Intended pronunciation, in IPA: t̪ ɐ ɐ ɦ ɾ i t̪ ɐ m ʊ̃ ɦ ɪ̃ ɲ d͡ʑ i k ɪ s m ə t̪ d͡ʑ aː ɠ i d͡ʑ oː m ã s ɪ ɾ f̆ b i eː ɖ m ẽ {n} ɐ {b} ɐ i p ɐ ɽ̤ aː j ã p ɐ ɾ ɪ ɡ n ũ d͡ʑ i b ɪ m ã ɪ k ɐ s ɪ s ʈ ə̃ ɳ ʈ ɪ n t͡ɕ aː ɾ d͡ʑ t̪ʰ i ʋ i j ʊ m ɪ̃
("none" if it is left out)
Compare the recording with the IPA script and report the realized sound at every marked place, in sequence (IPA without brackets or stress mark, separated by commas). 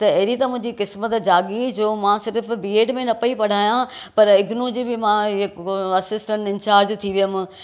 n, p